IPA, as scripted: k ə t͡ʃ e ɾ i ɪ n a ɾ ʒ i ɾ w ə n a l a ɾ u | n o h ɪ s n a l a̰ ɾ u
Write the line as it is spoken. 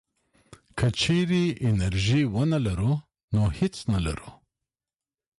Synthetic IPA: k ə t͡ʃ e ɾ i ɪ n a ɾ ʒ i w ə n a l a ɾ u | n o h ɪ t͡s n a l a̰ ɾ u